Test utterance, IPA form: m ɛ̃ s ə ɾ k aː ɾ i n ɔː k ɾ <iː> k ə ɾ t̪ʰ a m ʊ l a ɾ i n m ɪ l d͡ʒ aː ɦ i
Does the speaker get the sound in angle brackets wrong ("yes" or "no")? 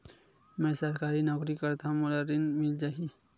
yes